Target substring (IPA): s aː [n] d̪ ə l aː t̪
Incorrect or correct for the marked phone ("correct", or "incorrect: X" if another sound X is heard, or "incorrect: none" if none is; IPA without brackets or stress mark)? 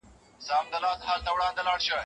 incorrect: m